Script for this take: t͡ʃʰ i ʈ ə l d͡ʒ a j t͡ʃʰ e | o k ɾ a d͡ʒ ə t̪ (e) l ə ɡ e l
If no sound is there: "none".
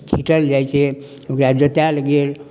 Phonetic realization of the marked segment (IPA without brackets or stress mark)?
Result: a